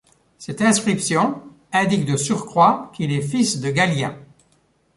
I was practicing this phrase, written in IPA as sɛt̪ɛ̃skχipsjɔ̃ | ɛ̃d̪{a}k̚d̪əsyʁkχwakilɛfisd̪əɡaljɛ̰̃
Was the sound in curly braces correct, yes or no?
no